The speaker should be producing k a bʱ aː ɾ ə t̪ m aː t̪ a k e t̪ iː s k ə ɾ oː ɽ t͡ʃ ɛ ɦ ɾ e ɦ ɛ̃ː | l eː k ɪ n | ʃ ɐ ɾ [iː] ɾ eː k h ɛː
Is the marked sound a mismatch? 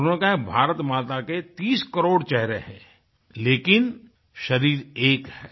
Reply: no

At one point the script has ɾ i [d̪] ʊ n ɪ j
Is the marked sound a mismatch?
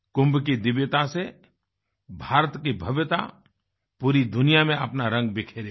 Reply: no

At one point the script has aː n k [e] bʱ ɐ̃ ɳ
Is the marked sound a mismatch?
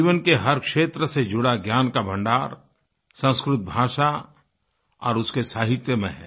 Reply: yes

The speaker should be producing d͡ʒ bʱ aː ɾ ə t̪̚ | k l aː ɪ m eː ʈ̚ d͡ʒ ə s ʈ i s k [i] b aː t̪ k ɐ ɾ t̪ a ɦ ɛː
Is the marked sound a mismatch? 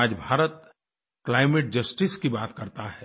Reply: no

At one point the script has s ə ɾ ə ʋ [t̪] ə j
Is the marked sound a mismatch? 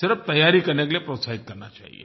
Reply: no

